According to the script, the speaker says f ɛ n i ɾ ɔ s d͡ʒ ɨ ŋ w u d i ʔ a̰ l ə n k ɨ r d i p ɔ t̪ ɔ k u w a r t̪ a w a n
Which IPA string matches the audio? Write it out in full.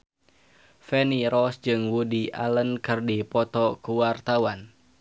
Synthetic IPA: f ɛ n i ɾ ɔ s d͡ʒ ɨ ŋ w u d i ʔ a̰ l ə n k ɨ r d i p ɔ t̪ ɔ k u w a r t̪ a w a n